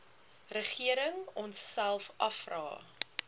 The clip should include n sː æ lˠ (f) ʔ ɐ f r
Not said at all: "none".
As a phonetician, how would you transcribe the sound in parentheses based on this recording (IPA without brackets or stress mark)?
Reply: f